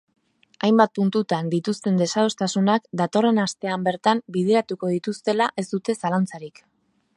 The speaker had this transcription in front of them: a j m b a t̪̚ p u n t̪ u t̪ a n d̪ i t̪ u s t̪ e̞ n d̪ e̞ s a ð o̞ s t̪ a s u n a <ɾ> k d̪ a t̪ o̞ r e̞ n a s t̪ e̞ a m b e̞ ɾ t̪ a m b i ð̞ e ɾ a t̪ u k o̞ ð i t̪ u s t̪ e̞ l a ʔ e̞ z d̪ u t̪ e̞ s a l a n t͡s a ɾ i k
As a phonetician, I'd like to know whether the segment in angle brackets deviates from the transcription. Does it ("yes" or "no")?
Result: yes